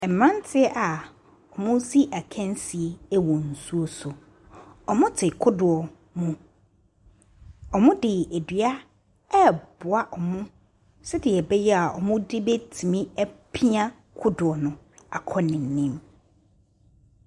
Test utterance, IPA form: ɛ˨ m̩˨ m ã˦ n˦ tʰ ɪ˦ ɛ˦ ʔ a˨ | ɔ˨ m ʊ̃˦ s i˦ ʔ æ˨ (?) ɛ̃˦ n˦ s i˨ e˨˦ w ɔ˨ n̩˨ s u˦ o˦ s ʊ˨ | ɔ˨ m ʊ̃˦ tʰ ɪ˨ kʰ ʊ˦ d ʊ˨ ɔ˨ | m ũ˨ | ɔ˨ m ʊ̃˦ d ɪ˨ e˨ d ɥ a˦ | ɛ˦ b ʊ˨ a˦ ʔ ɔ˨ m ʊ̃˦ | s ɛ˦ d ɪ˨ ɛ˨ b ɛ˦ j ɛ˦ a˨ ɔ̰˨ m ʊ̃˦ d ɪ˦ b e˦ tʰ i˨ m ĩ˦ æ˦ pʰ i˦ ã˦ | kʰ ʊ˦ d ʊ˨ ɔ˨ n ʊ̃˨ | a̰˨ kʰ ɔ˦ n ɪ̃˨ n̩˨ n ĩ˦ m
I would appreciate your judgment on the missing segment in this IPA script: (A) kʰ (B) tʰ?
A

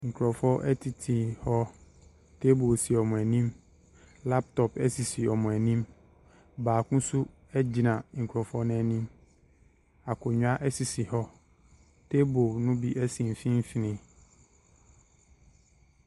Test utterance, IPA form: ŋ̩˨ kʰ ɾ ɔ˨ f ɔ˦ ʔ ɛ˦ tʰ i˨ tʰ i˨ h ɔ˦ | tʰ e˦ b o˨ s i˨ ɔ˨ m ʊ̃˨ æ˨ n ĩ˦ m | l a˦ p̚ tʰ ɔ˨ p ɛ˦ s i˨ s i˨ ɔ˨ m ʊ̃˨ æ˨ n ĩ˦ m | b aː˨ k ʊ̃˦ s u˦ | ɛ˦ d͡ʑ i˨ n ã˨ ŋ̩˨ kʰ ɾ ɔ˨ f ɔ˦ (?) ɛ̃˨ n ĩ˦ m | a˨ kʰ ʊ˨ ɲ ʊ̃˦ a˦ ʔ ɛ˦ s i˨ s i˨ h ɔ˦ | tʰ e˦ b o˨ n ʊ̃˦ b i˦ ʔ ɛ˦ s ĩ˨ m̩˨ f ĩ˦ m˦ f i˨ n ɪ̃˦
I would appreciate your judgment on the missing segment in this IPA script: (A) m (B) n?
B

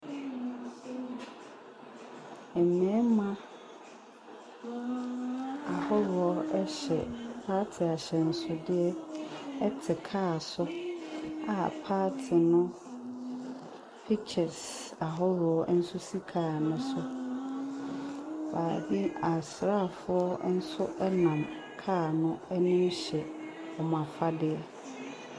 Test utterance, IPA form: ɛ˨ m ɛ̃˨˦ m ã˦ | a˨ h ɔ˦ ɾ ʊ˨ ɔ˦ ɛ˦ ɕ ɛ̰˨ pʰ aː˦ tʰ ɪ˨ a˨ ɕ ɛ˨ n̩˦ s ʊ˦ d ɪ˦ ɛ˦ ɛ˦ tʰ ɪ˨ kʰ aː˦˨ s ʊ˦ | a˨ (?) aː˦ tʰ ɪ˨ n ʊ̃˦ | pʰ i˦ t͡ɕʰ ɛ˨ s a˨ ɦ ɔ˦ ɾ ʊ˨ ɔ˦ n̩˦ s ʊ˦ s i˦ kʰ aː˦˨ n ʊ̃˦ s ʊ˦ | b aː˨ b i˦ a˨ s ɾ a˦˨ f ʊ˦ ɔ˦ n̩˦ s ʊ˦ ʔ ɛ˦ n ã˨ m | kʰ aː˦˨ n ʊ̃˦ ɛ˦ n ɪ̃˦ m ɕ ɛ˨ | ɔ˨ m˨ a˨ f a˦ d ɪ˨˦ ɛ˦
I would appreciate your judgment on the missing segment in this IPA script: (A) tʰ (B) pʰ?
B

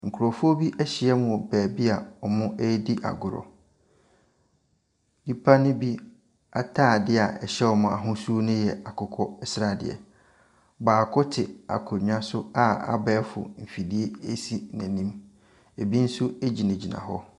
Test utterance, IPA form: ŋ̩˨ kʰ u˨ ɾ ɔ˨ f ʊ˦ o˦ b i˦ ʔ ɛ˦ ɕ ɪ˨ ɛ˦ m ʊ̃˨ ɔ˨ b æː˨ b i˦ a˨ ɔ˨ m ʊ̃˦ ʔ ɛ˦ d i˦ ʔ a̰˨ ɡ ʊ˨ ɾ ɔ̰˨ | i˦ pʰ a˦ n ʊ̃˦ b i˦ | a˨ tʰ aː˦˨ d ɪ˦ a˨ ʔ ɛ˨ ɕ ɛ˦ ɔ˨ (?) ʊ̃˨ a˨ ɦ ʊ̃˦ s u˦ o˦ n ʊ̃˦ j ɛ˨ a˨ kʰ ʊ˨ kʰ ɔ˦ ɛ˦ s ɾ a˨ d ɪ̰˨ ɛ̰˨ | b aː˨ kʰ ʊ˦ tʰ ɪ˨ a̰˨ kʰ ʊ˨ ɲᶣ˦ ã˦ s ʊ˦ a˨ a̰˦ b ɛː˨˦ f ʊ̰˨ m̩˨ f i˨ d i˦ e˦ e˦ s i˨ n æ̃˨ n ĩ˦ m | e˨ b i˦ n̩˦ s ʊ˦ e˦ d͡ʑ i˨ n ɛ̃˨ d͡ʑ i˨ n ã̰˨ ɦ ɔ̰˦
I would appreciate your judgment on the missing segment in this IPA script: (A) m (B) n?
A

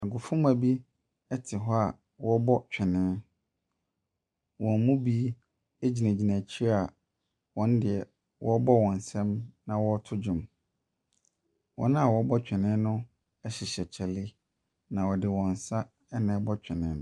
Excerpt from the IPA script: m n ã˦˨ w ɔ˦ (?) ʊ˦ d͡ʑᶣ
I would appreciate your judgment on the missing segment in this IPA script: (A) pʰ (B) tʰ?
B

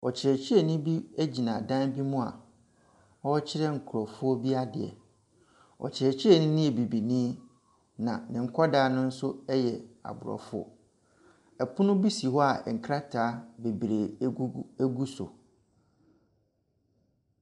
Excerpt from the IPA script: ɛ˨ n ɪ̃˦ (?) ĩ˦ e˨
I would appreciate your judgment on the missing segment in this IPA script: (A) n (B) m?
A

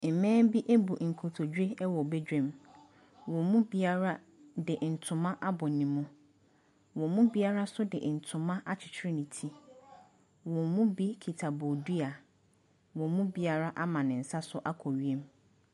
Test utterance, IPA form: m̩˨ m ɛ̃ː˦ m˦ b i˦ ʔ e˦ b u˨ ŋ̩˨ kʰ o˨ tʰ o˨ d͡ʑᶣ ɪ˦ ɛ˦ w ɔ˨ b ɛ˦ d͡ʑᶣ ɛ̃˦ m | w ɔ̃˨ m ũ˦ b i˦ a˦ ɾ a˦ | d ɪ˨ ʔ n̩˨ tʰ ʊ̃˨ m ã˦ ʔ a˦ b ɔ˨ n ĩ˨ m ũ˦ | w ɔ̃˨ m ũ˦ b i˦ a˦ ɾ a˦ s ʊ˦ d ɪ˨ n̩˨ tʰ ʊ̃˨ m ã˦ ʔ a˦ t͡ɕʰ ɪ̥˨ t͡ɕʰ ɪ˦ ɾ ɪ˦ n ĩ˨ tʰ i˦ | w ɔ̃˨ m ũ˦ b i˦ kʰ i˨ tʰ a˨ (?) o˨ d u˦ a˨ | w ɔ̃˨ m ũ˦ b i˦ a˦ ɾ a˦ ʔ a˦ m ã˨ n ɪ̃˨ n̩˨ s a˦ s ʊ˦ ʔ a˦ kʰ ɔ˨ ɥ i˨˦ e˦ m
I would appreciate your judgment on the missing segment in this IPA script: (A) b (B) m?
A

